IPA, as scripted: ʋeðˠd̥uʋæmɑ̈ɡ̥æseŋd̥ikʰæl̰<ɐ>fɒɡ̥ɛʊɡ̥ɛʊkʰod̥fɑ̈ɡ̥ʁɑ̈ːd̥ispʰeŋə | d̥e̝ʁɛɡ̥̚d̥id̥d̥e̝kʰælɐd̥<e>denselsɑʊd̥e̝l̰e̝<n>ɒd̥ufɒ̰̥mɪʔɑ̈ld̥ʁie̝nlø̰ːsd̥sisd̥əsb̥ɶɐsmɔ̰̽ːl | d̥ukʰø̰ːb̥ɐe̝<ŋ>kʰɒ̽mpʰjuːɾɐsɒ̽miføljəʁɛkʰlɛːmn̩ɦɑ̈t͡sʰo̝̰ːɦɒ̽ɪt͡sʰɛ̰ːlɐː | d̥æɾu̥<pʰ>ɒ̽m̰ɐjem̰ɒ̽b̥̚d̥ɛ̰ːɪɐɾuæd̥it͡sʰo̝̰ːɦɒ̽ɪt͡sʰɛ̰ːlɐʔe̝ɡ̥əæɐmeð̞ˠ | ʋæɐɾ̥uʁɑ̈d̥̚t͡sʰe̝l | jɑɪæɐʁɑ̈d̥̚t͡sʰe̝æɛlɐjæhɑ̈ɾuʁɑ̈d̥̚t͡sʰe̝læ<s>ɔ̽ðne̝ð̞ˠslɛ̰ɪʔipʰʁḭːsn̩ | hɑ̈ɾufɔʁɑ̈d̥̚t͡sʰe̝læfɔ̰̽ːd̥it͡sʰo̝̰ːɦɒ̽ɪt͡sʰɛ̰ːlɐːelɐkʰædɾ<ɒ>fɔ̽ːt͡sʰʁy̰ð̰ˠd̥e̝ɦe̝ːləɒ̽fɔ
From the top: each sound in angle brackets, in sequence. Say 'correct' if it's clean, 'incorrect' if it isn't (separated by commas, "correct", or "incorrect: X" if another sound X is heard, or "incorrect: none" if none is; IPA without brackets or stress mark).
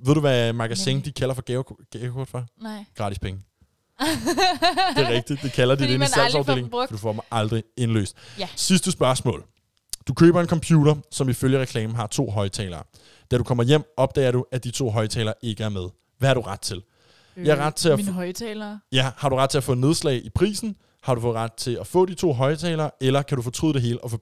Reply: correct, incorrect: i, incorrect: ŋ, incorrect: n, incorrect: kʰ, incorrect: f, incorrect: u